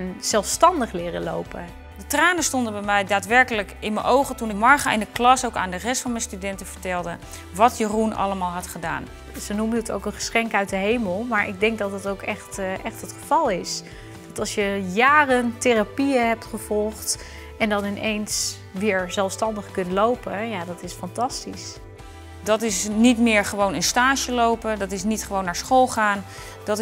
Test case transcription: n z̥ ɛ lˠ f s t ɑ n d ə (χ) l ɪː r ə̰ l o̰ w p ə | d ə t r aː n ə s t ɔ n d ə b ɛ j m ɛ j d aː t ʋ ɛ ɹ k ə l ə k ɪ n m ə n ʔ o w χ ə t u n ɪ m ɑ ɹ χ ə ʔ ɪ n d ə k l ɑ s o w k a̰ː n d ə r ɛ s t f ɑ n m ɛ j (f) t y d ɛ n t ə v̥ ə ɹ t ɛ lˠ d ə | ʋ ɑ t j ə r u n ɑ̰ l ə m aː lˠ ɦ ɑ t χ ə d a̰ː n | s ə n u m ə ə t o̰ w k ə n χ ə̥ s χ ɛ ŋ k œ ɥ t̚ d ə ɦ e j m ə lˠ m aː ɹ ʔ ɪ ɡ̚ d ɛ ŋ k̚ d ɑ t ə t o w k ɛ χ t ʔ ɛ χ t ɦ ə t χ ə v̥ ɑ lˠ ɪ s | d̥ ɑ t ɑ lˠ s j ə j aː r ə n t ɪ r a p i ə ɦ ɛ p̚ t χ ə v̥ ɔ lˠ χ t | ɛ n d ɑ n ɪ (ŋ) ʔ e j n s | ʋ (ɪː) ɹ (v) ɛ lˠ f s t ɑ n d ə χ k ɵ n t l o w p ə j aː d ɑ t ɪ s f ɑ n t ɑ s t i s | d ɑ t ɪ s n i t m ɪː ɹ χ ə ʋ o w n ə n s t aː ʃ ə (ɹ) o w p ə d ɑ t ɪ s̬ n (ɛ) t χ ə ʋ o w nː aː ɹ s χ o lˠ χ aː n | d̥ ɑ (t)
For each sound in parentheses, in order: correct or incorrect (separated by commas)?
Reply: correct, incorrect, incorrect, correct, incorrect, incorrect, incorrect, correct